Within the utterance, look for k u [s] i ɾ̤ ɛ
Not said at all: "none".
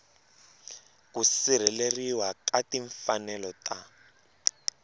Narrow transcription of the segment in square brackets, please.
s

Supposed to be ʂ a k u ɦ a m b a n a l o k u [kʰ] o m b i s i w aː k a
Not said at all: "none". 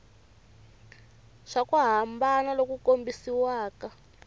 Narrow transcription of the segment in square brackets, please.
k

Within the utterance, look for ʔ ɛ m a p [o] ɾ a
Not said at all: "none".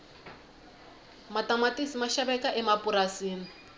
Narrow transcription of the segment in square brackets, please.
u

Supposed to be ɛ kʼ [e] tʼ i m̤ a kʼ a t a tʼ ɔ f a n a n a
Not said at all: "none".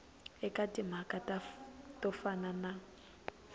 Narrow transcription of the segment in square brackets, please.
a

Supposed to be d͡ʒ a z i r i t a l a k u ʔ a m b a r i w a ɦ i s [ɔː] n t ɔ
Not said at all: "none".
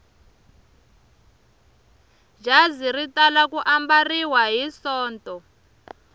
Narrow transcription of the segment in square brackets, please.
ɔː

